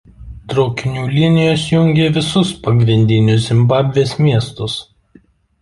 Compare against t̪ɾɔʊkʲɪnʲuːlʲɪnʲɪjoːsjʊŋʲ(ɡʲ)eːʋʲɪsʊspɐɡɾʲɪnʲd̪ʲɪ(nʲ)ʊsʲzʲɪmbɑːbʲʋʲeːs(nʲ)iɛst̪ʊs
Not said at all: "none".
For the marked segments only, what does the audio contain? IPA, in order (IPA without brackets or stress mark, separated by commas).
ɡʲ, nʲ, mʲ